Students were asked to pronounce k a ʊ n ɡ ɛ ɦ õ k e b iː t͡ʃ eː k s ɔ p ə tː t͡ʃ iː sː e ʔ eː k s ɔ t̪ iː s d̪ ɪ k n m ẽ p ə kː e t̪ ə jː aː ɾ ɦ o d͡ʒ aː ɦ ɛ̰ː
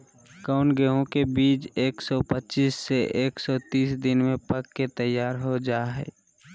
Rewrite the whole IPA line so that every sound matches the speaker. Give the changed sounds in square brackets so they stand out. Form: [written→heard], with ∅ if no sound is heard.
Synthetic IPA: k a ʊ n ɡ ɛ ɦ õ k e b iː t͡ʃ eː k s ɔ p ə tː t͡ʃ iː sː e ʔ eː k s ɔ t̪ iː s d̪ ɪ [k→∅] n m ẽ p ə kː e t̪ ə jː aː ɾ ɦ o d͡ʒ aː ɦ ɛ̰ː